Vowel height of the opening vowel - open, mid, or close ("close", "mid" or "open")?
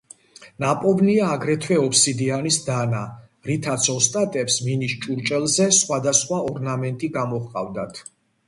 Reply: open